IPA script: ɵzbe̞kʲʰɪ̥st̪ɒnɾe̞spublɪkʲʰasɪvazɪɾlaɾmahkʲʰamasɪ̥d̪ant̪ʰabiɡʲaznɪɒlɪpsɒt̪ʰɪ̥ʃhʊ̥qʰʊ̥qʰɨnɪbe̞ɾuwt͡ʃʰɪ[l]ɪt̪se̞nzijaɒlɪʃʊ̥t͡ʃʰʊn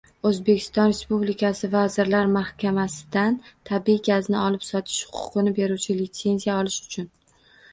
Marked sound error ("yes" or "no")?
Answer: no